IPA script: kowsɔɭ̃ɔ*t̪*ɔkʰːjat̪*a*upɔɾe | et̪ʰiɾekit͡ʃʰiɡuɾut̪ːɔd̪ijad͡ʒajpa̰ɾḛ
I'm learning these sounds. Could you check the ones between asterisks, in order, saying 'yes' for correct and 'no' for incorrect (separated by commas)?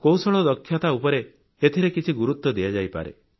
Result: no, yes